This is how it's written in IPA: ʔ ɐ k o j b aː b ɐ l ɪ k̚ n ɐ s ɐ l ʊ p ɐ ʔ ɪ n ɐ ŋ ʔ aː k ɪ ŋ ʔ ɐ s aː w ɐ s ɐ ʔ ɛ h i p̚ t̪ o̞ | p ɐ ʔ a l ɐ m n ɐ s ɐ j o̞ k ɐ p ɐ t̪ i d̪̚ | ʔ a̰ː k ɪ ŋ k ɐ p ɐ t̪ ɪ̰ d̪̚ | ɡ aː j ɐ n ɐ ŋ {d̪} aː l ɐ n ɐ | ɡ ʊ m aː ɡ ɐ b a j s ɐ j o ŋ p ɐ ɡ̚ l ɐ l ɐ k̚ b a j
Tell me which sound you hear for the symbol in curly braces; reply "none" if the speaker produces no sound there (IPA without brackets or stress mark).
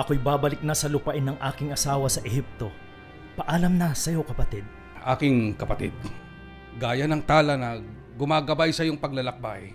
t̪